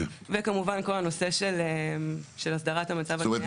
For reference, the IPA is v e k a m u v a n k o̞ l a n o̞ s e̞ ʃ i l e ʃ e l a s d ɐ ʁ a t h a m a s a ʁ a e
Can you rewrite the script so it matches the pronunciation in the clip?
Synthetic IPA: v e k a m u v a n k o̞ l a n o̞ s e̞ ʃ e l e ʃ e l a s d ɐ ʁ a t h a m a t͡s a v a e